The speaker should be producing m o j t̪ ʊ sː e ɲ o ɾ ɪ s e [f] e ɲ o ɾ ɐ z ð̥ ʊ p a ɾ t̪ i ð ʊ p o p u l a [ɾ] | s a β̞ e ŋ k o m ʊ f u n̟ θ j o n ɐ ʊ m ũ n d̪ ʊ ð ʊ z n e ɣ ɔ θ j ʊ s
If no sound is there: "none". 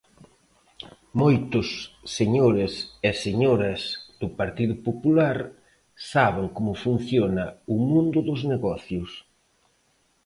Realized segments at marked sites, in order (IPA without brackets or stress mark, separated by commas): s, ɾ